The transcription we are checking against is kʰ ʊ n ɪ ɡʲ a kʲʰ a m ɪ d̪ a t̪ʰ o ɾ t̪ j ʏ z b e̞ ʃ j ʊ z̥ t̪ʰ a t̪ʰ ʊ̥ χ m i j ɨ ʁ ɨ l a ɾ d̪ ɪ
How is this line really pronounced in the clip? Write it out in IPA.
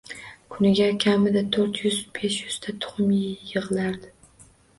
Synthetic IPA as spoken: kʰ ʊ n ɪ ɡʲ a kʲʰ a m ɪ d̪ a t̪ʰ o ɾ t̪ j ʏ z b e̞ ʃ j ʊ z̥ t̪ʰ a t̪ʰ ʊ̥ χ m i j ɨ ʁ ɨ l a ɾ d̪ ɪ